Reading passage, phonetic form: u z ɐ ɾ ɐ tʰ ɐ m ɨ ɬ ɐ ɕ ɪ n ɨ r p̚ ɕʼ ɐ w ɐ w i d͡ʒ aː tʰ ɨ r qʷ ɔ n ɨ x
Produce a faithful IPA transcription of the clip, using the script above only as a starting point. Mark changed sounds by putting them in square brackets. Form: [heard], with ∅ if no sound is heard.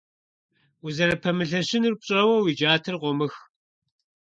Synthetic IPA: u z ɐ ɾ ɐ [pʰ] ɐ m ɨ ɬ ɐ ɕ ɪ n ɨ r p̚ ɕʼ ɐ w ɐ w i d͡ʒ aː tʰ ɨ r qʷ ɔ [m] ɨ x

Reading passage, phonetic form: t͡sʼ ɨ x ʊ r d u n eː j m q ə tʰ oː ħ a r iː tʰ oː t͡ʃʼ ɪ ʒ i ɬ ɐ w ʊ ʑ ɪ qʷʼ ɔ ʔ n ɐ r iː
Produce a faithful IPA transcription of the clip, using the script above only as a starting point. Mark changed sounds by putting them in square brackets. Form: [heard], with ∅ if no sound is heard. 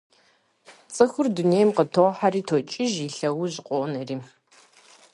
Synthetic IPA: t͡sʼ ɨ x ʊ r d u n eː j m q ə tʰ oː ħ a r iː tʰ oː t͡ʃʼ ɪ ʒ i ɬ ɐ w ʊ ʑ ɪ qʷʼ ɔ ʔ n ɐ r iː

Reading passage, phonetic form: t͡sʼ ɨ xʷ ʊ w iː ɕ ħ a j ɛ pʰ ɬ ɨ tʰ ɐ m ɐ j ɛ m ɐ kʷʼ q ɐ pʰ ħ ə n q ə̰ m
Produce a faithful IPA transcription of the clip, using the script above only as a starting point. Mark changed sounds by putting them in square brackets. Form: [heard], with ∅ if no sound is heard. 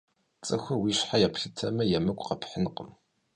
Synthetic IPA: t͡sʼ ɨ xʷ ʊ w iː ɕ ħ a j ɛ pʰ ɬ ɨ tʰ ɐ m ɐ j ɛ m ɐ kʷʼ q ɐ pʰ ħ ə n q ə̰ m

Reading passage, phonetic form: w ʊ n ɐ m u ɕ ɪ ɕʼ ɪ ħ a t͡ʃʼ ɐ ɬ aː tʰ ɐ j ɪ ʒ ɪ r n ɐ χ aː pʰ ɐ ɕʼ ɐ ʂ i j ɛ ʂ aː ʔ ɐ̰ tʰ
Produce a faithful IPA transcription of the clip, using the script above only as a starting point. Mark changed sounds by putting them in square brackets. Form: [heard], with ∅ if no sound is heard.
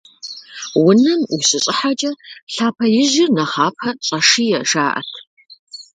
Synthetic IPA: w ʊ n ɐ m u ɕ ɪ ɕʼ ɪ ħ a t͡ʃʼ ɐ ɬ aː [pʰ] ɐ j ɪ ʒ ɪ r n ɐ χ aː pʰ ɐ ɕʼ ɐ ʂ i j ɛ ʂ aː ʔ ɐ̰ tʰ

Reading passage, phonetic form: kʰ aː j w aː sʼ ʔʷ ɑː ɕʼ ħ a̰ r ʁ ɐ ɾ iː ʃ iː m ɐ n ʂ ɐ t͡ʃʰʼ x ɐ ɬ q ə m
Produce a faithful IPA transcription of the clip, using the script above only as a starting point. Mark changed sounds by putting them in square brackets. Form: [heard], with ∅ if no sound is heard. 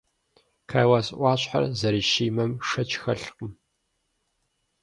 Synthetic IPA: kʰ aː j w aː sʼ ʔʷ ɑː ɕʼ ħ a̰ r [z] ɐ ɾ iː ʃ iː m ɐ [m] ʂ ɐ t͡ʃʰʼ x ɐ ɬ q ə m

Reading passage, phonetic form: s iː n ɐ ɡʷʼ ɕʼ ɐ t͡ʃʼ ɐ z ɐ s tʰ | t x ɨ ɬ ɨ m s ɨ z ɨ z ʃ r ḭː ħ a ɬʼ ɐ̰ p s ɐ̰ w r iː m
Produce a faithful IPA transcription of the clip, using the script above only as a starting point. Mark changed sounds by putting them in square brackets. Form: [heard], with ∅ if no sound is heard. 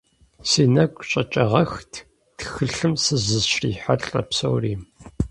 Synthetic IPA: s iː n ɐ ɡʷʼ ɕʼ ɐ t͡ʃʼ ɐ [ʁ] ɐ [x] tʰ | t x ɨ ɬ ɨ m s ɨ z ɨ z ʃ r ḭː ħ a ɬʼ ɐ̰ p s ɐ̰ w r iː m

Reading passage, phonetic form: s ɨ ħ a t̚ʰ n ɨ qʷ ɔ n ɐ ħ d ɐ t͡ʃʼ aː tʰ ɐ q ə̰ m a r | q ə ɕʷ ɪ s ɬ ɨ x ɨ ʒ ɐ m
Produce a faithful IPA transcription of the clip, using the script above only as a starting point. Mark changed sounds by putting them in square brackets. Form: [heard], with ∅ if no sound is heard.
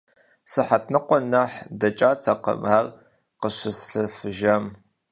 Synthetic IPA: s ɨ ħ a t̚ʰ n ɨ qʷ ɔ n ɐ ħ d ɐ t͡ʃʼ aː tʰ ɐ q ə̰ m a r | q ə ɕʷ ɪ s ɬ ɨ [f] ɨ ʒ ɐ m

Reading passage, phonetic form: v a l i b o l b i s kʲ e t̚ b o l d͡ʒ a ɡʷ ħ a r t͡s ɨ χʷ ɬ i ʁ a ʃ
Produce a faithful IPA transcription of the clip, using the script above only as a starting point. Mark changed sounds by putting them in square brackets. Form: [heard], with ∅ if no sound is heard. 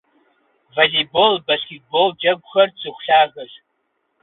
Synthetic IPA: v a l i b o l b [a] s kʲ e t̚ b o l d͡ʒ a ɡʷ [χ] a r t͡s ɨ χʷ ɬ [a] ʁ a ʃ

